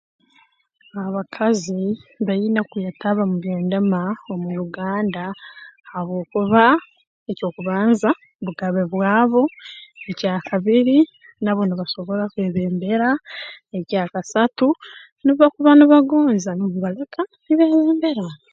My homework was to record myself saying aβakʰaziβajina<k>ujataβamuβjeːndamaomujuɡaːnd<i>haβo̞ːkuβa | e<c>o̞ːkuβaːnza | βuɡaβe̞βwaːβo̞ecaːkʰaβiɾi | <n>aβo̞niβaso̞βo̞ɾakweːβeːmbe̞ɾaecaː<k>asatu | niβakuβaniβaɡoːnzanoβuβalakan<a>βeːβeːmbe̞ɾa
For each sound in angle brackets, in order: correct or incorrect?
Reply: correct, incorrect: a, correct, correct, correct, incorrect: i

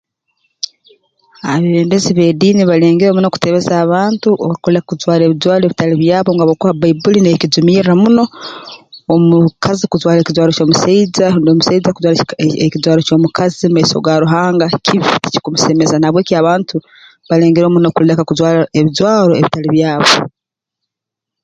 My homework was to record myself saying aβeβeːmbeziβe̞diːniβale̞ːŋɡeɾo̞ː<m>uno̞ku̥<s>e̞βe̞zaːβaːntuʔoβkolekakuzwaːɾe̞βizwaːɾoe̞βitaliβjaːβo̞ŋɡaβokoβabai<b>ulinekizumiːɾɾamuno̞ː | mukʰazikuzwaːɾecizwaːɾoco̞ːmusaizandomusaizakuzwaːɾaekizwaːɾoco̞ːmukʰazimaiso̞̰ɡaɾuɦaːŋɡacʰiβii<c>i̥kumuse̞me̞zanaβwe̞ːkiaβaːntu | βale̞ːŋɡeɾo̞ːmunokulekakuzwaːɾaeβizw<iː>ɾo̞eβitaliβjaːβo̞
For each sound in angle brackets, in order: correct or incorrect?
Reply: correct, incorrect: t, correct, correct, incorrect: aː

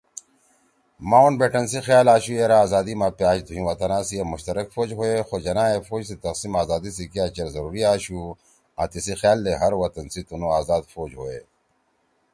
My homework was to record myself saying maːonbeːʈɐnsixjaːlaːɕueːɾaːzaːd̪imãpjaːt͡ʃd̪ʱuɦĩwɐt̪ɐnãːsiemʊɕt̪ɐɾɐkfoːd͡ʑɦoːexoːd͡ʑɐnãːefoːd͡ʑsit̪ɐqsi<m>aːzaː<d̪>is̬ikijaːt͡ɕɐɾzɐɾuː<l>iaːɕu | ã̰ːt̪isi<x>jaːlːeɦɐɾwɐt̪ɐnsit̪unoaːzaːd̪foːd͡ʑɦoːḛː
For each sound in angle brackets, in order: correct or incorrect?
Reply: correct, correct, incorrect: ɾ, correct

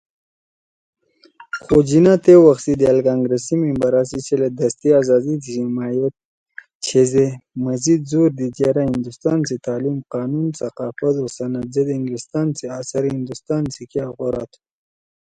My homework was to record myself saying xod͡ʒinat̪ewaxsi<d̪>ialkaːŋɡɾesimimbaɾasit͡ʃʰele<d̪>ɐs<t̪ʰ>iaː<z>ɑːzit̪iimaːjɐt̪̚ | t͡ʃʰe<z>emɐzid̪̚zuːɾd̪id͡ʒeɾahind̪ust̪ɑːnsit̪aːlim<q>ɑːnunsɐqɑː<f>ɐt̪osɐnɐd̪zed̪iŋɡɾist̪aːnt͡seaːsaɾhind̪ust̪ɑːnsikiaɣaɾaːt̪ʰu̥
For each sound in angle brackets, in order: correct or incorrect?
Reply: correct, correct, incorrect: t̪, correct, correct, correct, correct

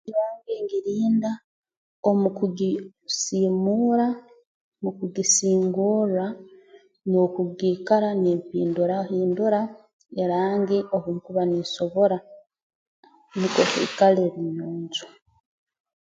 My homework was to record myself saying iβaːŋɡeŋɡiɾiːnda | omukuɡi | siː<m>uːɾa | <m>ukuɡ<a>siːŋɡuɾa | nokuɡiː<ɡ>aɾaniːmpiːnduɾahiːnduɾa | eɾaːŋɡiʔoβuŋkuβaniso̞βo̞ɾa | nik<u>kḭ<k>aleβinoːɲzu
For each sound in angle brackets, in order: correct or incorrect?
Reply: correct, correct, incorrect: i, incorrect: k, incorrect: o, correct

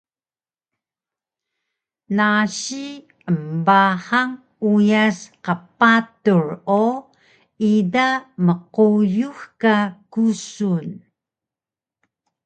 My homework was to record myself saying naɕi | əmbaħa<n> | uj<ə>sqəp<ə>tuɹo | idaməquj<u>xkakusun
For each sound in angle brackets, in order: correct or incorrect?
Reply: incorrect: ŋ, incorrect: a, incorrect: a, correct

